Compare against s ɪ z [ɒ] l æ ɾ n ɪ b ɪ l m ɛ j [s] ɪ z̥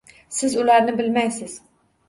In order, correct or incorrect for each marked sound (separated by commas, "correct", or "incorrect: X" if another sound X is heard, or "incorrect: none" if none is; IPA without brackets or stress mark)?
incorrect: u, correct